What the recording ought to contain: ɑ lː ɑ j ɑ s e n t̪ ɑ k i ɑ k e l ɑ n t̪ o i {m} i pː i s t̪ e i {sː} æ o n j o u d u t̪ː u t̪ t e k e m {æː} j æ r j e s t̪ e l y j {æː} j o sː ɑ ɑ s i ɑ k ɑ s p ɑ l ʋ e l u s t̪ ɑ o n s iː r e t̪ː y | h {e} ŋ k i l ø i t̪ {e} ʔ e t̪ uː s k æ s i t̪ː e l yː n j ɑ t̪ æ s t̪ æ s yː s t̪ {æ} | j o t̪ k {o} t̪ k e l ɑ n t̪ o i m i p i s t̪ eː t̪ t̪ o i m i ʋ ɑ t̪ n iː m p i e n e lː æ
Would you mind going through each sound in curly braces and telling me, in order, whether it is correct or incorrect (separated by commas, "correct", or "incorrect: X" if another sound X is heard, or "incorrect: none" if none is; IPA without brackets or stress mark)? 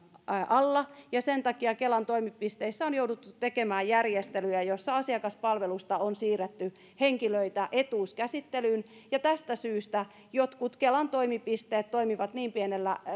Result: correct, correct, correct, incorrect: æ, correct, incorrect: æ, correct, incorrect: u